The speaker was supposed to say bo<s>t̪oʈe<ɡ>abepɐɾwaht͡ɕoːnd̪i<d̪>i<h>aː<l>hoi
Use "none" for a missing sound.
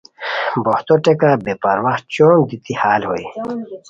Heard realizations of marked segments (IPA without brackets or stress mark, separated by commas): h, k, t̪, h, l